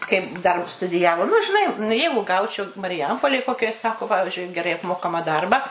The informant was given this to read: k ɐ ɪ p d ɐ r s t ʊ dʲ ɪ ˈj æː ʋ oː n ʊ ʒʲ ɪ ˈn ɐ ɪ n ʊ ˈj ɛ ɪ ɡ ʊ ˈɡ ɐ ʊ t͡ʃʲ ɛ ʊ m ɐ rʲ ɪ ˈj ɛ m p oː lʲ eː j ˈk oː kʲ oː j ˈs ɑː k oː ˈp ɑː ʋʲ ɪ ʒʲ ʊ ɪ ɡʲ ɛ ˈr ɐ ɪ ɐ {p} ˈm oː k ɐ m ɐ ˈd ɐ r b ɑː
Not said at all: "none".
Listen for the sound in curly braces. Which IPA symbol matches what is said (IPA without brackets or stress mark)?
p